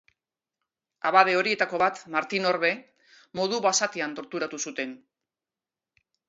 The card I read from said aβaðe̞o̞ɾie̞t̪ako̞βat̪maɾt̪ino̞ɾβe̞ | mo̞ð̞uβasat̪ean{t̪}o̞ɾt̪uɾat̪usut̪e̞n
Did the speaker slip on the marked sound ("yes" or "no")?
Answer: no